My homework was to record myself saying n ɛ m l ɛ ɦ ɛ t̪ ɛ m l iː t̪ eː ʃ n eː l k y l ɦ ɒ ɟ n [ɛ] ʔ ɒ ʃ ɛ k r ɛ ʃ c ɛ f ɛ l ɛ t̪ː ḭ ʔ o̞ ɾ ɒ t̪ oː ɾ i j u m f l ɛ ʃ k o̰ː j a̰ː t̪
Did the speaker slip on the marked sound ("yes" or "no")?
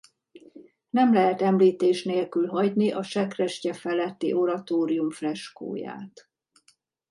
yes